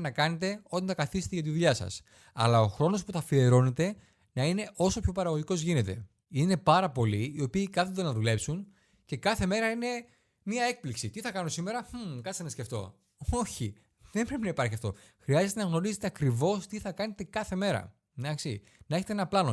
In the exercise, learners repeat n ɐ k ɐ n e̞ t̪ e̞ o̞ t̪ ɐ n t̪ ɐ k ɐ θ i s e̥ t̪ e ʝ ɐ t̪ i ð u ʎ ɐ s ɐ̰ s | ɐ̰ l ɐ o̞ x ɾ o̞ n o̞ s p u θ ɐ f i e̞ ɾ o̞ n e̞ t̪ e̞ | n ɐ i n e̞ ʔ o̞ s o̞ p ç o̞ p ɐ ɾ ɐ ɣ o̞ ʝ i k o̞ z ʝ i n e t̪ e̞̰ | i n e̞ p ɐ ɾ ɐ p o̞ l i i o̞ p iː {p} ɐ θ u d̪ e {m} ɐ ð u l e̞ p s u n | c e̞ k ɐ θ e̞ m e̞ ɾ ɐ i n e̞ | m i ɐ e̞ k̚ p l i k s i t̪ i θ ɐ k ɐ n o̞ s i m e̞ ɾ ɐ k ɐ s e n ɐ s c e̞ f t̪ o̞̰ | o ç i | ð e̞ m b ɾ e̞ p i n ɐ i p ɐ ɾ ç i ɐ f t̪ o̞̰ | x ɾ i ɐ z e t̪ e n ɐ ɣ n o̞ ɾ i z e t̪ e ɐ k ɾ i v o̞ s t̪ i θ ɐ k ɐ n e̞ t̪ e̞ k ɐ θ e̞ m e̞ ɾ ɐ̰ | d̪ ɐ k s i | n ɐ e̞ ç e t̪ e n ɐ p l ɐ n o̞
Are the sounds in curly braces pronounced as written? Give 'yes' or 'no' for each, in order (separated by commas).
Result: no, no